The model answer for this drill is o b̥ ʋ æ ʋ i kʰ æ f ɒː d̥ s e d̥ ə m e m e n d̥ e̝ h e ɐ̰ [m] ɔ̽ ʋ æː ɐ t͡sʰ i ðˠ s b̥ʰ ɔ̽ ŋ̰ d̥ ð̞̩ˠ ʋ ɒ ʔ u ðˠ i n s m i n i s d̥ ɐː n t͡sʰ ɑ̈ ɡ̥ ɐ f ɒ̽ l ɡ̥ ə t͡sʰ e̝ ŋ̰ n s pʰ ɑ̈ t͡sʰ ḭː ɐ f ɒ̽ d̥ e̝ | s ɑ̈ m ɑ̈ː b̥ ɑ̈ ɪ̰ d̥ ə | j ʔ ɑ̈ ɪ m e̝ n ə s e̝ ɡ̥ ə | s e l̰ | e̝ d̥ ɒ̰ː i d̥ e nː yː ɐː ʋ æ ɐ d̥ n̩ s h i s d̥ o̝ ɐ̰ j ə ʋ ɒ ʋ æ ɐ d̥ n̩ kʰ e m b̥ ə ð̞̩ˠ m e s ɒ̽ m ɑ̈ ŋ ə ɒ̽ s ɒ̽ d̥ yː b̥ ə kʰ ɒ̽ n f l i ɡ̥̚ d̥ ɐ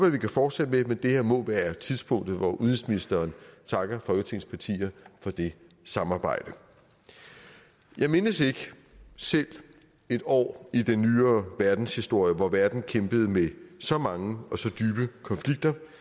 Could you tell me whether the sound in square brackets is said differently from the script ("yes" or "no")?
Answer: no